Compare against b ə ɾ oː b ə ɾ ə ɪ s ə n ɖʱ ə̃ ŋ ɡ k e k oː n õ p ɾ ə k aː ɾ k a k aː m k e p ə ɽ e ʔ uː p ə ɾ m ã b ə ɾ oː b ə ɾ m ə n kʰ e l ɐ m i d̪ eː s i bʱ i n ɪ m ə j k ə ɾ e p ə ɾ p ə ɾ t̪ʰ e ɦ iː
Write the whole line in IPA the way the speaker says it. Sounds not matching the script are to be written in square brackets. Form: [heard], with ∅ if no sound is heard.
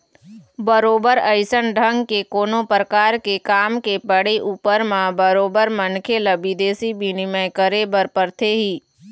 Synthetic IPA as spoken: b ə ɾ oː b ə ɾ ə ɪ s ə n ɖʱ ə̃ ŋ ɡ k e k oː n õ p ɾ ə k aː ɾ k [e] k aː m k e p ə ɽ e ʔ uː p ə ɾ m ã b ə ɾ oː b ə ɾ m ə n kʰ e l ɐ [b] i d̪ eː s i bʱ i n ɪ m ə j k ə ɾ e [b] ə ɾ p ə ɾ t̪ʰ e ɦ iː